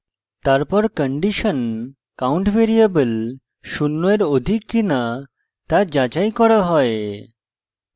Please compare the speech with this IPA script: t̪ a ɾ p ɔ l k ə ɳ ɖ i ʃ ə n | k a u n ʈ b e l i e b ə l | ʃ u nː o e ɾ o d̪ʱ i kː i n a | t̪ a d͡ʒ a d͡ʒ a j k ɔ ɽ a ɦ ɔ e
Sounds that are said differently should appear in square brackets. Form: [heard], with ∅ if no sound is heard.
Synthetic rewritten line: t̪ a ɾ p ɔ [ɾ] k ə ɳ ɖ i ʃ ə n | k a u [ɳ] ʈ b e [ɾ] i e b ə l | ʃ u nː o e ɾ o d̪ʱ i kː i n a | t̪ a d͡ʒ a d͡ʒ a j k ɔ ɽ a ɦ ɔ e